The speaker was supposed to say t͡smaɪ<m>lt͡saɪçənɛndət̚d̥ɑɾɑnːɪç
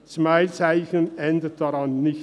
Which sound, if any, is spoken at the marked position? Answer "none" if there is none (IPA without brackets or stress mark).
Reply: none